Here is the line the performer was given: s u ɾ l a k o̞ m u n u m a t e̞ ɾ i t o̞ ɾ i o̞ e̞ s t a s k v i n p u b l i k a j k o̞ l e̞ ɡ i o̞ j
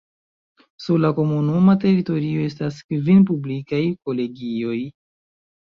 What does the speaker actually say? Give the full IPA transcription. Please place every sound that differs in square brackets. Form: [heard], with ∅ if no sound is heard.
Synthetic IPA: s u ɾ l a k o̞ m u n u m a t e̞ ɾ i t o̞ ɾ i o̞ e̞ s t a s k v i n p u b l i k a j k o̞ l e̞ ɡ i o̞ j